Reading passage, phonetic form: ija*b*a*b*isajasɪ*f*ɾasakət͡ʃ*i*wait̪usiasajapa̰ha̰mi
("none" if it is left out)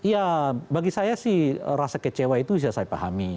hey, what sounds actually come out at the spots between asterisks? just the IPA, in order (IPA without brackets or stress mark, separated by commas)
b, ɡ, h, e